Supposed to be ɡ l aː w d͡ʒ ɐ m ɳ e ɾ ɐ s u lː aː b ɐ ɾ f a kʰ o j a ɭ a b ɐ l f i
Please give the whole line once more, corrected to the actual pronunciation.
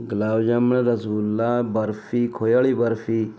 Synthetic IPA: ɡ l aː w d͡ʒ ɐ m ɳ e ɾ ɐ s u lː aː b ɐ ɾ f i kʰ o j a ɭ i b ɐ ɾ f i